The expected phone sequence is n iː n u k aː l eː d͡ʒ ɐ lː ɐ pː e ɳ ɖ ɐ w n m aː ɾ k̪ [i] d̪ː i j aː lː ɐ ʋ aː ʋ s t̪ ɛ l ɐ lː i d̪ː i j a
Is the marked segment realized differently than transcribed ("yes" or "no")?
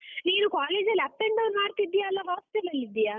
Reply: no